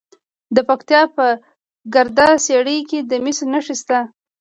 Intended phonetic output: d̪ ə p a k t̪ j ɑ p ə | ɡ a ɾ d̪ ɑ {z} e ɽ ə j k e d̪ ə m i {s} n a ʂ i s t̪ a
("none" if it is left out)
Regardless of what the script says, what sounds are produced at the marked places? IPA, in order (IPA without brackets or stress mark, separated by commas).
s, s